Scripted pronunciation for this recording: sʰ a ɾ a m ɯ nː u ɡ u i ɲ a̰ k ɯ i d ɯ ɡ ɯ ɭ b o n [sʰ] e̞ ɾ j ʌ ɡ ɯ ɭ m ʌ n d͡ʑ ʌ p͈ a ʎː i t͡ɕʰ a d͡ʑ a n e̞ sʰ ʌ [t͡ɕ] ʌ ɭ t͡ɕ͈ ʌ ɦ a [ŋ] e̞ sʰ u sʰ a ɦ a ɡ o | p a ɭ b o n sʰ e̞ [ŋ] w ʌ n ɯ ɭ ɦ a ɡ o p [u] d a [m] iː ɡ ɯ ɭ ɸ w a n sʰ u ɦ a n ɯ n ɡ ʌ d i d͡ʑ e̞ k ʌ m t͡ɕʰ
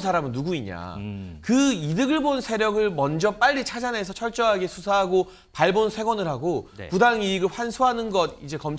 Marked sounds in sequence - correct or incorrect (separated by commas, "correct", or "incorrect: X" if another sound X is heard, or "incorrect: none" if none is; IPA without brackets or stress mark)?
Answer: correct, incorrect: t͡ɕʰ, incorrect: ɡ, incorrect: ɡ, correct, incorrect: ŋ